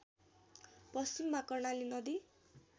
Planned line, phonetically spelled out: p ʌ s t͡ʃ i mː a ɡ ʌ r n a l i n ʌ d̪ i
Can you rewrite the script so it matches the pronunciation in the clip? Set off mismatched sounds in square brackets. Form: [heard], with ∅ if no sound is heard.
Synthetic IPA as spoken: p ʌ s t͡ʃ i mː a [k] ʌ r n a l i n ʌ d̪ i